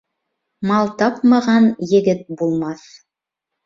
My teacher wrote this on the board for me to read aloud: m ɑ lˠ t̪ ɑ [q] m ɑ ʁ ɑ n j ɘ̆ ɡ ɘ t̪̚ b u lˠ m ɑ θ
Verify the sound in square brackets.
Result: incorrect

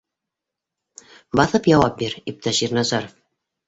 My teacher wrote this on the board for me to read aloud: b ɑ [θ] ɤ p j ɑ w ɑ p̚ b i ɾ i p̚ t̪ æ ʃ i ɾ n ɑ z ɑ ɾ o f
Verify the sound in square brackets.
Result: correct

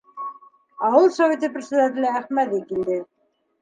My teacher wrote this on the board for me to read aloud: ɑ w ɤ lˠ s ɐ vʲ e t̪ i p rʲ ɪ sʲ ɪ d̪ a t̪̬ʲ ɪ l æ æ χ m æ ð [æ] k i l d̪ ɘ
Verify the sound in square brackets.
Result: incorrect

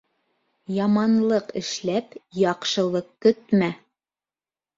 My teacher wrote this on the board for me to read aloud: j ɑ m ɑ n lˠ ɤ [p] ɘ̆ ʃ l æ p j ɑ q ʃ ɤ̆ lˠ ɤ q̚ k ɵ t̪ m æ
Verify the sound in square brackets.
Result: incorrect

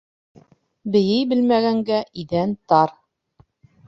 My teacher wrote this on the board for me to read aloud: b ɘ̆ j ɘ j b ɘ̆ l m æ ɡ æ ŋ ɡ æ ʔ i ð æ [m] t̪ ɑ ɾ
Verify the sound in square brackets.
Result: incorrect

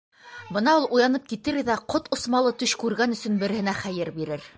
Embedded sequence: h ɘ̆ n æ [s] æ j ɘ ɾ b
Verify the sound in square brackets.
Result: incorrect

